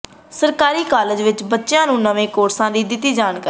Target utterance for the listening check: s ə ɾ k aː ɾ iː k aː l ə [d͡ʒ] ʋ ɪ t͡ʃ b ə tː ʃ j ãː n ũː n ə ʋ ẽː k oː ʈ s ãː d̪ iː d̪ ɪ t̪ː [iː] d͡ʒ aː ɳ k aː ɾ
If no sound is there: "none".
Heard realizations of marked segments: d͡ʒ, iː

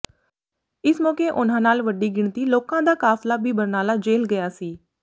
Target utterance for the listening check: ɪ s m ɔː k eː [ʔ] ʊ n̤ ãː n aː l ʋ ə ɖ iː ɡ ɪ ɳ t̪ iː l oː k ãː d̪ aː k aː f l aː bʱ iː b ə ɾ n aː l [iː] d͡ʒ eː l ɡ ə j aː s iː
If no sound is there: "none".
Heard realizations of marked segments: ʔ, aː

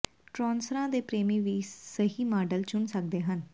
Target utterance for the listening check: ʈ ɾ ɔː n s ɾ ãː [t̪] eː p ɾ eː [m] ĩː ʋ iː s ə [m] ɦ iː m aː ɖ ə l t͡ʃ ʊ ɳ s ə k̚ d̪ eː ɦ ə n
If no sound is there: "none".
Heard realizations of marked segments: d̪, m, none

